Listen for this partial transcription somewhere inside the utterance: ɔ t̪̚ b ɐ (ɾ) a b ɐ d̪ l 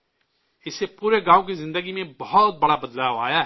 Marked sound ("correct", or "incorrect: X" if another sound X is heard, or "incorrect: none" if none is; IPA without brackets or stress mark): incorrect: ɽ